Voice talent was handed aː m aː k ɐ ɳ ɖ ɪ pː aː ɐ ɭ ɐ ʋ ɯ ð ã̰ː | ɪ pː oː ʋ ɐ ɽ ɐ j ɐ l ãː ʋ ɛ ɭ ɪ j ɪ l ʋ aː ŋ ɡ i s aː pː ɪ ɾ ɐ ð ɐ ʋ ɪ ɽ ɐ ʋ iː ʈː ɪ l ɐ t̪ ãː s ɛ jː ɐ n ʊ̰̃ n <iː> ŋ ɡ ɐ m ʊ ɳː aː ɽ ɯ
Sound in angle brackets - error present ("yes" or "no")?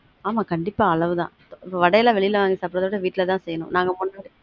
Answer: yes